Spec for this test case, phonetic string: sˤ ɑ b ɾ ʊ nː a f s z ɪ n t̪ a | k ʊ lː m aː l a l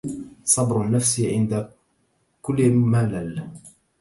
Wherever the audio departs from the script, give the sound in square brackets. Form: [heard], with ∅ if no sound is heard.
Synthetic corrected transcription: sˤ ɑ b ɾ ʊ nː a f s [ʕ] ɪ n [d̪] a | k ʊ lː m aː l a l